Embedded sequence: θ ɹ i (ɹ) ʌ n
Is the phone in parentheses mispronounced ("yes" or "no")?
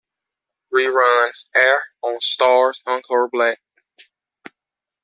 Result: no